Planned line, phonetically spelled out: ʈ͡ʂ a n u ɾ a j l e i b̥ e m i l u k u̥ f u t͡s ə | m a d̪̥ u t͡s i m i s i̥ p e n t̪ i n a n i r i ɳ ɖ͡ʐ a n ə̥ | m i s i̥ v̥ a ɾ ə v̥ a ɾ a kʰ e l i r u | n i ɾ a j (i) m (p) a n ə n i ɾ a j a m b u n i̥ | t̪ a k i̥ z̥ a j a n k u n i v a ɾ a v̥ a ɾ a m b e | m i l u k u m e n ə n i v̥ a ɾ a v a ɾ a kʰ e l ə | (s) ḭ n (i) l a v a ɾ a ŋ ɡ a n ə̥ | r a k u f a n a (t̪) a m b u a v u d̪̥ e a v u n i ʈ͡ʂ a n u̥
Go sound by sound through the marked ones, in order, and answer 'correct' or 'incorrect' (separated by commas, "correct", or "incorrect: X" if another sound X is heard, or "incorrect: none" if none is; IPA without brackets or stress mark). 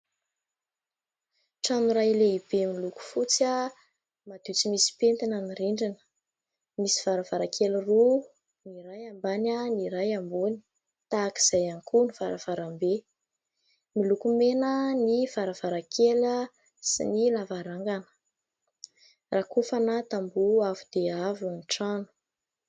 incorrect: a, incorrect: b, correct, correct, correct